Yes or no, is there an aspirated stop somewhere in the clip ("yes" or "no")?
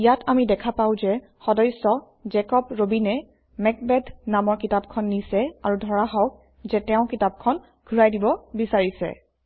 yes